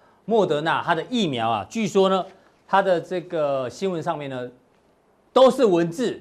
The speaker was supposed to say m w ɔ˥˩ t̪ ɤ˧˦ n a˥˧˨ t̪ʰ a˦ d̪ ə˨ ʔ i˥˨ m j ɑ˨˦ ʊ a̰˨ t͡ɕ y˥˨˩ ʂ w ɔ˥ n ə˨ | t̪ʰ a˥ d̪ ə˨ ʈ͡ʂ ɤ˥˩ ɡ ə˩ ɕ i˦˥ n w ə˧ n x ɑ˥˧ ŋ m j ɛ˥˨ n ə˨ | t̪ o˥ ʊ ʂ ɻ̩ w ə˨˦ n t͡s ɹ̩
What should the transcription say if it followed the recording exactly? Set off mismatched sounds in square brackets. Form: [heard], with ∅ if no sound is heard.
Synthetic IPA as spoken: m w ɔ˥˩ t̪ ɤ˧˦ n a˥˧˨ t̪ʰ a˦ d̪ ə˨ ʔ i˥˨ m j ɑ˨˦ ʊ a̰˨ t͡ɕ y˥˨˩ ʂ w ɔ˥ n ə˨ | t̪ʰ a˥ d̪ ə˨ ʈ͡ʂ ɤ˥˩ ɡ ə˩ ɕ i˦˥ n w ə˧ n [ʂ] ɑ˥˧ ŋ m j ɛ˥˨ n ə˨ | t̪ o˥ ʊ ʂ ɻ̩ w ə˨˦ n t͡s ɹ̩